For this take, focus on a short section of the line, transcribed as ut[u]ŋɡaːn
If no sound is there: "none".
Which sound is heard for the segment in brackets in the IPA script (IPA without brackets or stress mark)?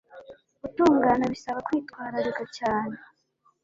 uː